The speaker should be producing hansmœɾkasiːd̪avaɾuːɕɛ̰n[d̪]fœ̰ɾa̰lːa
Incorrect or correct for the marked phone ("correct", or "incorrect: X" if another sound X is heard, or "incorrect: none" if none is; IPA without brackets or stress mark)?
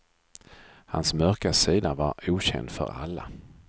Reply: correct